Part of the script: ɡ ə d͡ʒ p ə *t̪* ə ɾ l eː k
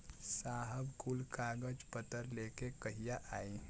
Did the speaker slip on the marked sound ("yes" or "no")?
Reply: no